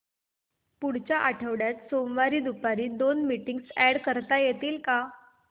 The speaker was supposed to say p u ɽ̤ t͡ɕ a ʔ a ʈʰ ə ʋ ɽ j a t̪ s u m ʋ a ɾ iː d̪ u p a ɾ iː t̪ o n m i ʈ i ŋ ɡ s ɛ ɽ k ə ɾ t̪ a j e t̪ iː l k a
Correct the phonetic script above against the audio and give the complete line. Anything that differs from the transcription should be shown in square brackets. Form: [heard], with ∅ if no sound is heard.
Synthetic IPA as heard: p u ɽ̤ t͡ɕ a ʔ a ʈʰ ə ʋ ɽ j a t̪ s [o] m ʋ a ɾ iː d̪ u p a ɾ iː [d̪] o n m i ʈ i ŋ ɡ s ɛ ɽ k ə ɾ t̪ a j e t̪ iː l k a